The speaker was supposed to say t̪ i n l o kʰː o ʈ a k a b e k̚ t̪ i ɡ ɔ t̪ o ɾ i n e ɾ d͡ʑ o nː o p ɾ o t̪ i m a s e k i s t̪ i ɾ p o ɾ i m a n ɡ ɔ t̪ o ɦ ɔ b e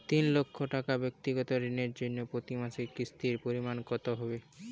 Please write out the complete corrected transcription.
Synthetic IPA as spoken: t̪ i n l o kʰː o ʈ a k a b e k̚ t̪ i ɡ ɔ t̪ o ɾ i n e ɾ d͡ʑ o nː o p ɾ o t̪ i m a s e k i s t̪ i ɾ p o ɾ i m a n k ɔ t̪ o ɦ ɔ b e